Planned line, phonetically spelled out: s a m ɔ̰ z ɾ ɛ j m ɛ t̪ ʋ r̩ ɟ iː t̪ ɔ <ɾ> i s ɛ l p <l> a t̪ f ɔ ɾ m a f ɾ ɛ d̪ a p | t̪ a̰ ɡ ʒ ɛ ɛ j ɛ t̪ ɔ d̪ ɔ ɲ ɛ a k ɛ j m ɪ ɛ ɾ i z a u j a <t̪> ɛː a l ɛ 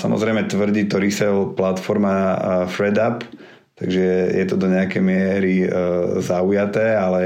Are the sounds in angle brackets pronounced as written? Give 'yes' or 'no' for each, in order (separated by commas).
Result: yes, yes, yes